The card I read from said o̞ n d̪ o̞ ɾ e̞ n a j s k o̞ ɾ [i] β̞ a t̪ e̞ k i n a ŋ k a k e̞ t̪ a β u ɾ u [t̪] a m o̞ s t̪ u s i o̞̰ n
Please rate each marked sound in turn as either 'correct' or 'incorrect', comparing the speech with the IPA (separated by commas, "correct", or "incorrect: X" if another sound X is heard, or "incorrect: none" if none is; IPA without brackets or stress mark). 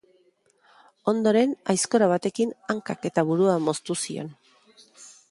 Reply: incorrect: a, incorrect: none